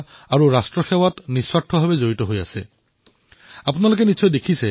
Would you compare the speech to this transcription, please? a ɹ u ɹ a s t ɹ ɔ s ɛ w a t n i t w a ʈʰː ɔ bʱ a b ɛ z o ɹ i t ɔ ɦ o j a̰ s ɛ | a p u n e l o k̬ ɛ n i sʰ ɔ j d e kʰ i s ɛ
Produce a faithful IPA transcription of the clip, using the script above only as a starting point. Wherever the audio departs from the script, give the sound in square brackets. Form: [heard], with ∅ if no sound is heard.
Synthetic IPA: a ɹ u ɹ a s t ɹ ɔ [x] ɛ w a t n i [s] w a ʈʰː ɔ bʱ a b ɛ z o ɹ i t ɔ ɦ o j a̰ s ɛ | a p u n [a] l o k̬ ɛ n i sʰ ɔ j d e kʰ i s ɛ